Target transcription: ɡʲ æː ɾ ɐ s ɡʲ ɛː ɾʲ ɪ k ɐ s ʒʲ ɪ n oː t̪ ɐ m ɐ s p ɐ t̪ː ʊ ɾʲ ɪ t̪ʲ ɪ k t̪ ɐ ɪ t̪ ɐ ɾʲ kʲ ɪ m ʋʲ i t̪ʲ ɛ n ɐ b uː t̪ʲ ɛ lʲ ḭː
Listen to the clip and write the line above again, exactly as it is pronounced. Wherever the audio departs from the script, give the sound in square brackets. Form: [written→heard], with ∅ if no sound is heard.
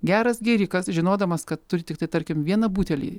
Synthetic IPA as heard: ɡʲ æː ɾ ɐ s ɡʲ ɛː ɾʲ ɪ k ɐ s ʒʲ ɪ n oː [t̪→d̪] ɐ m ɐ s [p→k] ɐ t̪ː ʊ ɾʲ ɪ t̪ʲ ɪ k t̪ ɐ ɪ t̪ ɐ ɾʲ kʲ ɪ m ʋʲ i [t̪ʲ→∅] ɛ n ɐ b uː t̪ʲ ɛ lʲ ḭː